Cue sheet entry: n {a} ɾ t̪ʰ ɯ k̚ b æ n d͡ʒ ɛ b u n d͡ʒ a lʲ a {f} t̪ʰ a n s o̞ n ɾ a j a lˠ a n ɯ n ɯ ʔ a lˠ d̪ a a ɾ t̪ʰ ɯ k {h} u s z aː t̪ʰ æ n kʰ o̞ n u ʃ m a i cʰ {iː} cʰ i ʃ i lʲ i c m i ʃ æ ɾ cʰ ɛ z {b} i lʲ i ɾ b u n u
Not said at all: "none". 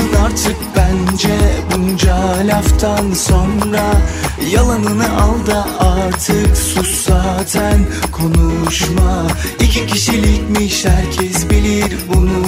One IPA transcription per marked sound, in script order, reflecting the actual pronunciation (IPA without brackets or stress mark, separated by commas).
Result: a, f, s, i, b